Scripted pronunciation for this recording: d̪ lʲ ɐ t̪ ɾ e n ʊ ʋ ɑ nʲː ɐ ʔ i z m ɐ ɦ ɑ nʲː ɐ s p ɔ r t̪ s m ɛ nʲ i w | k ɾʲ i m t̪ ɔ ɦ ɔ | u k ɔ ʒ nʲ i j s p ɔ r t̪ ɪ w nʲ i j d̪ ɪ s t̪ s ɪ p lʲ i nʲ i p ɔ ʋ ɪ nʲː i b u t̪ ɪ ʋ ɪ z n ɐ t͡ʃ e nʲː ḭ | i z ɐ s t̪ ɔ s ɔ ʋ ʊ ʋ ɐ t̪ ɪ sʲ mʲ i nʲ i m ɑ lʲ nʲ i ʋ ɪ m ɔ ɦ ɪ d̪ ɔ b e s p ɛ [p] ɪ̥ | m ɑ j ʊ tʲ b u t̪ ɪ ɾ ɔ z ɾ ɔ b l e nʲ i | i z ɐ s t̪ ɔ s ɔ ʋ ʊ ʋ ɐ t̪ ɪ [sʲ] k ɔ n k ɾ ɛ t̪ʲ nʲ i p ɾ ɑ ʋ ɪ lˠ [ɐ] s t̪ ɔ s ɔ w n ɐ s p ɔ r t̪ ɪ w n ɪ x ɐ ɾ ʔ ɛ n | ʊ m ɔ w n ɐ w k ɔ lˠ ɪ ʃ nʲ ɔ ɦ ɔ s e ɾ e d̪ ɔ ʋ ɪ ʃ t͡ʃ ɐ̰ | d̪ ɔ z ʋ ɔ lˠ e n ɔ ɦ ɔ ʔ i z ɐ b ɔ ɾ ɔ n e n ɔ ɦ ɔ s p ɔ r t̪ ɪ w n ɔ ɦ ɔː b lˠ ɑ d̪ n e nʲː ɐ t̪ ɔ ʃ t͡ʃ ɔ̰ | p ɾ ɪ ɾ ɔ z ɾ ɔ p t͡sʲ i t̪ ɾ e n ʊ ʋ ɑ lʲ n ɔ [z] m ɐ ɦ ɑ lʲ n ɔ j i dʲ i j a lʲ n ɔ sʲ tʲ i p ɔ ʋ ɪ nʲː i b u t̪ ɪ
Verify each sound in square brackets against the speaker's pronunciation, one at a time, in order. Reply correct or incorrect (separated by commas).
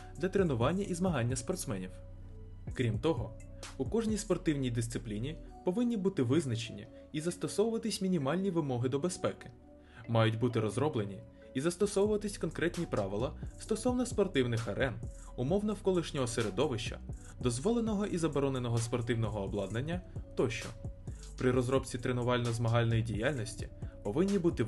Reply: incorrect, correct, correct, correct